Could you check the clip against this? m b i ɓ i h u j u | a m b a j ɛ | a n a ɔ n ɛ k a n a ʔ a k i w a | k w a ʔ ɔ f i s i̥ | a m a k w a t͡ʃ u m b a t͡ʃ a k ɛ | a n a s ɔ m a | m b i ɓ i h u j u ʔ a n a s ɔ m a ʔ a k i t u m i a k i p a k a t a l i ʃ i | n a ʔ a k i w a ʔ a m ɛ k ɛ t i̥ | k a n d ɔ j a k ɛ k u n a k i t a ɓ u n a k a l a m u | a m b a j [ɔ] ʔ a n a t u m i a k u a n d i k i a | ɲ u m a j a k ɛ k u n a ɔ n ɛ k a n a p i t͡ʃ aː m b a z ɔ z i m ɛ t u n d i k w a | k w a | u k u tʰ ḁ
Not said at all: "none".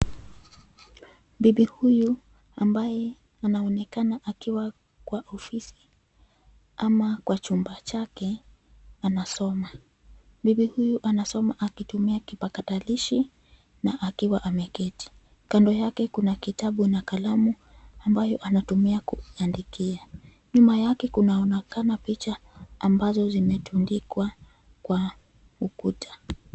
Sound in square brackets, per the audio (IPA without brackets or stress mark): ɔ